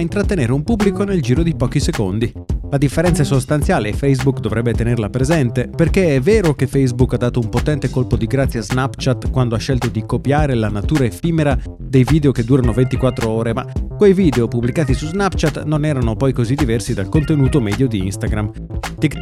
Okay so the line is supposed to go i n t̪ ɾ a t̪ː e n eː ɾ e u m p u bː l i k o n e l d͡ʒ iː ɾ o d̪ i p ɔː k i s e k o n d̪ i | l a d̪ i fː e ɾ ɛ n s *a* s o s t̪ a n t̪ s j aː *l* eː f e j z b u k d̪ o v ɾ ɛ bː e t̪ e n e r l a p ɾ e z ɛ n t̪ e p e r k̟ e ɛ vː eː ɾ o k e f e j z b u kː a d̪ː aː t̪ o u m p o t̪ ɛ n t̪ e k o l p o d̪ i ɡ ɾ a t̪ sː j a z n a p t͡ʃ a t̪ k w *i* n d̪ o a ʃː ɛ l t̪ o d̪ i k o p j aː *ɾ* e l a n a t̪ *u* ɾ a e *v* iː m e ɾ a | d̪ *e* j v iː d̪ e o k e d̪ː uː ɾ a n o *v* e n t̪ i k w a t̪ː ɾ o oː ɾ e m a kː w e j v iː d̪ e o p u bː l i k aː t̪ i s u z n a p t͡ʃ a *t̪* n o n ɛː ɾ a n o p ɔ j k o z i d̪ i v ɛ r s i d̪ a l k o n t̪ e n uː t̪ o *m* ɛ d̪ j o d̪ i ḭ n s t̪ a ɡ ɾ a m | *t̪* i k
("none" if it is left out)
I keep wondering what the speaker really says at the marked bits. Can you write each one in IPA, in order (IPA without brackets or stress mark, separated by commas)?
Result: a, l, a, ɾ, uː, f, e, v, t̪, m, t̪